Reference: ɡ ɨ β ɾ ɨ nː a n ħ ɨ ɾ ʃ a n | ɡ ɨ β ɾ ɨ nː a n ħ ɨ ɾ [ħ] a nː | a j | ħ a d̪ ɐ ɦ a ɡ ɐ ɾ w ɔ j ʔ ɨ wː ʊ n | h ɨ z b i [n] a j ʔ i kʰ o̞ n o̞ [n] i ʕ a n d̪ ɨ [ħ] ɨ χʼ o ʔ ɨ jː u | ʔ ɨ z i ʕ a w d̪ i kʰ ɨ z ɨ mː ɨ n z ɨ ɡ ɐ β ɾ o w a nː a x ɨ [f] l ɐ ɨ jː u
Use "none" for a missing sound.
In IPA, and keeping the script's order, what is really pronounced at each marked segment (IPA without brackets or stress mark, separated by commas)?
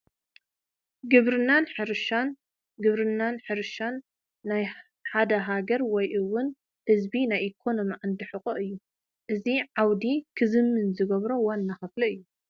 ʃ, n, m, ħ, f